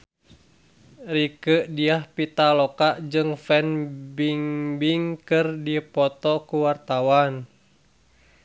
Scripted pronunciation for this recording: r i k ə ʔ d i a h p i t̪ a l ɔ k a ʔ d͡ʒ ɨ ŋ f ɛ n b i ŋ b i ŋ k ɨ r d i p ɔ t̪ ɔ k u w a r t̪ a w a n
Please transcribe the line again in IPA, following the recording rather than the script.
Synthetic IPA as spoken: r i k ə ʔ d i a h p i t̪ a l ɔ k a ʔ d͡ʒ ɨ ŋ f ɛ n b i ŋ b i ŋ k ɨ r d i p ɔ t̪ ɔ k u w a r t̪ a w a n